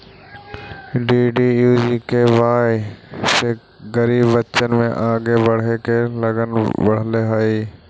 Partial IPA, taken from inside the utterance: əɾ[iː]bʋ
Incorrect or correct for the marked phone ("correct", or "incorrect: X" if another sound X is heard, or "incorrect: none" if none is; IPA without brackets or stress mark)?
correct